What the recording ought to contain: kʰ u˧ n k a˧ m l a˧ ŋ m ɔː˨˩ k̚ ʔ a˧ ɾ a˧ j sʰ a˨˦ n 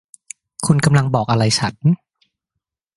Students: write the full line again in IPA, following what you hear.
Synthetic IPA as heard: kʰ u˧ n k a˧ m l a˧ ŋ b ɔː˨˩ k̚ ʔ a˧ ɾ a˧ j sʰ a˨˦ n